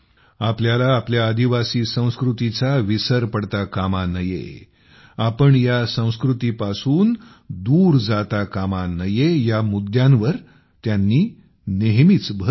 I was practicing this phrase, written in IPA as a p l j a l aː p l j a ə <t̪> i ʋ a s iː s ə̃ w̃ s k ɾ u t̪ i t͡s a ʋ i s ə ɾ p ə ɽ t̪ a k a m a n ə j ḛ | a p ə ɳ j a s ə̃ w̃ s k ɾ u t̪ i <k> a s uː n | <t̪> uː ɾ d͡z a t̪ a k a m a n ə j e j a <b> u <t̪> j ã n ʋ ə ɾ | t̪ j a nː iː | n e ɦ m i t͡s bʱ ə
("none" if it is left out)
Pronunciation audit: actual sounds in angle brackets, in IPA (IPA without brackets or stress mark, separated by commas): d̪, p, d̪, m, d̪